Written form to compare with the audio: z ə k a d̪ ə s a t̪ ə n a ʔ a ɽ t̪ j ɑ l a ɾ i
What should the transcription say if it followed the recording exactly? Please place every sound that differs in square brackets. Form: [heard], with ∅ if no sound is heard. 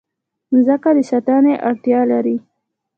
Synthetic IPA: z ə k a d̪ ə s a t̪ [ɑ] n [e] ʔ a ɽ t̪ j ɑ l a ɾ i